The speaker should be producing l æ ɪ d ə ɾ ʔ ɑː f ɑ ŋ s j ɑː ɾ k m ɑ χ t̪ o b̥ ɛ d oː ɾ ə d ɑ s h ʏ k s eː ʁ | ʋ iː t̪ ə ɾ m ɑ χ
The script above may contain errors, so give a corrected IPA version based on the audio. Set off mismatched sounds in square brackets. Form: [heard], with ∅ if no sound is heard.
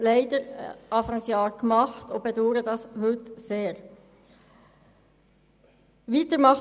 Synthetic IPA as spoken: l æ ɪ d ə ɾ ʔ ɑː f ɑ ŋ s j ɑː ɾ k m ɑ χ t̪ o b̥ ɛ d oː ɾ ə d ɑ s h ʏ [t] s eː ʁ | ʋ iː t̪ ə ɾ m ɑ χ